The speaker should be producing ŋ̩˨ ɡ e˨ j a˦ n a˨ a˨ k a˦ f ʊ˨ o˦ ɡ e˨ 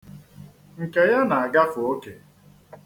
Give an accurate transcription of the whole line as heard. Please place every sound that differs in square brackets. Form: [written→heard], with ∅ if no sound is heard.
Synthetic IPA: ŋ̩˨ [ɡ→k] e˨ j a˦ n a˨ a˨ [k→ɡ] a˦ f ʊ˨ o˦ [ɡ→k] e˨